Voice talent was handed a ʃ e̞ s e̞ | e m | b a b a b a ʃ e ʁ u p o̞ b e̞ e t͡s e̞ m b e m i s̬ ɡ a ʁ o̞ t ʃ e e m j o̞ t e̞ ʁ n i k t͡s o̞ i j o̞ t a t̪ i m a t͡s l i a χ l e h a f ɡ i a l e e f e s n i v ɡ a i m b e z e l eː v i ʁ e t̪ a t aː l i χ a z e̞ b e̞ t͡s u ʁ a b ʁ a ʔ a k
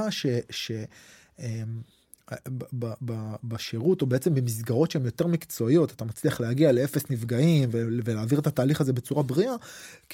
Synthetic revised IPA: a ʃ e̞ ʃ e̞ | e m | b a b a b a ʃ e ʁ u t o̞ b e̞ e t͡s e̞ m b e m i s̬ ɡ a ʁ o̞ t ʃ e e m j o̞ t e̞ ʁ m i k t͡s o̞ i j o̞ t a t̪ a m a t͡s l i a χ l e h a ɡ i a l e e f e s n i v ɡ a i m v e v e l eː v i ʁ e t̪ a t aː l i χ a z e̞ b e̞ t͡s u ʁ a b ʁ i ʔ a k